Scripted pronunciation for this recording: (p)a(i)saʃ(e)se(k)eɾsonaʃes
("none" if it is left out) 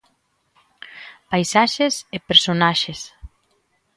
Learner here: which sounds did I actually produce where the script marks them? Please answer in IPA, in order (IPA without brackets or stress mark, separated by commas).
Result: p, j, e, p